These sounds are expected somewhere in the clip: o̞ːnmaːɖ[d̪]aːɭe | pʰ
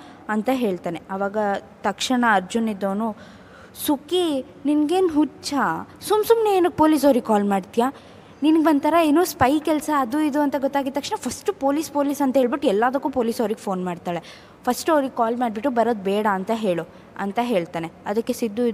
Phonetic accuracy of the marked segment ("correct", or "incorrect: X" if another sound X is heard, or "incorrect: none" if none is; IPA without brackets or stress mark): incorrect: t̪